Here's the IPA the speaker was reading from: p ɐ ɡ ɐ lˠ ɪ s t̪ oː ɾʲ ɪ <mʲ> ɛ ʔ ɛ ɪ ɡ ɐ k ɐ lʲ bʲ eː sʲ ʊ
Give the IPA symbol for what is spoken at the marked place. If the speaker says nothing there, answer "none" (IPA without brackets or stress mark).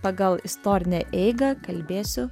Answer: nʲ